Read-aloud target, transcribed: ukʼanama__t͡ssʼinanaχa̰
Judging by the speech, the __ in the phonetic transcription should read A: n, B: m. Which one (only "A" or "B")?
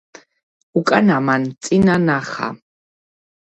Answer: A